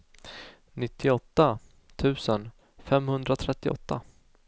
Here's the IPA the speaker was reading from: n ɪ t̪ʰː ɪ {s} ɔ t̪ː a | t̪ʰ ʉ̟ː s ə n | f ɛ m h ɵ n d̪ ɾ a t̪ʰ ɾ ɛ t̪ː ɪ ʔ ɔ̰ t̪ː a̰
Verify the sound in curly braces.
incorrect: none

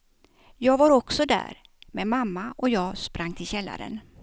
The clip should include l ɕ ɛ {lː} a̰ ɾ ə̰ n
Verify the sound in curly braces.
correct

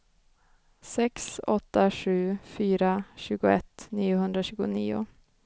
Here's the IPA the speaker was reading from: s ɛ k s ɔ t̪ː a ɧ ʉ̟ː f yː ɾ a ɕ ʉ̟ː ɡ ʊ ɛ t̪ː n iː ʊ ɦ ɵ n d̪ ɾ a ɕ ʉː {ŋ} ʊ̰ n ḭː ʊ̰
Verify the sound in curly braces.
incorrect: ɡ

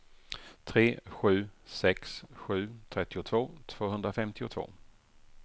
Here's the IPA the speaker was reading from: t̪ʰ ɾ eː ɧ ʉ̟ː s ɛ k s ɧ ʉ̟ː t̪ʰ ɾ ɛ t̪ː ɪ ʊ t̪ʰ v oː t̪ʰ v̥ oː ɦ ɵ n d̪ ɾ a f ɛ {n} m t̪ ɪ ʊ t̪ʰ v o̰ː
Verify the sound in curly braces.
incorrect: none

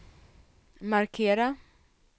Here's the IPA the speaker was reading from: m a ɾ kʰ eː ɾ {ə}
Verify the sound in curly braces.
incorrect: a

